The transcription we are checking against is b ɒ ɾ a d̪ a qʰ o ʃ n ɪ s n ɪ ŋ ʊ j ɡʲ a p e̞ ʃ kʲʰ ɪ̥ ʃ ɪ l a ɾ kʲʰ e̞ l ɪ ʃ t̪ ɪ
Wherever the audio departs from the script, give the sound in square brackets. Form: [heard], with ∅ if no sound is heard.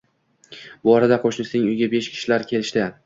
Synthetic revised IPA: b ɒ ɾ a d̪ a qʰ o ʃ n ɪ s n ɪ ŋ ʊ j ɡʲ a [b] e̞ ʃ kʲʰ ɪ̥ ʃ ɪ l a ɾ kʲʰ e̞ l ɪ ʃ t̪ ɪ